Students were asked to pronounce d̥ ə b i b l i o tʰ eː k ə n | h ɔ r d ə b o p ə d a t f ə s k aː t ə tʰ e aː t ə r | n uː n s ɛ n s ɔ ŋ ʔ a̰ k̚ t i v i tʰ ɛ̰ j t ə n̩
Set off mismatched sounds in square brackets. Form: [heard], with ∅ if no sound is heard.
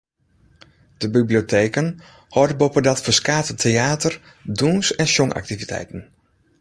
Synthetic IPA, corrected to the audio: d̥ ə b i b l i o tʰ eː k ə n | h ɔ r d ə b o p ə d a t f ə s k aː t ə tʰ e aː t ə r | [d] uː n s ɛ n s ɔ ŋ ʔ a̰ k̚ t i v i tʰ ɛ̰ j t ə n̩